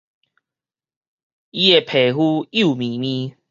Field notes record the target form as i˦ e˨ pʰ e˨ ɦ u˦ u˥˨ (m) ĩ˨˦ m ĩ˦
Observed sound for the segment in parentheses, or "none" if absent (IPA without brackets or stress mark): m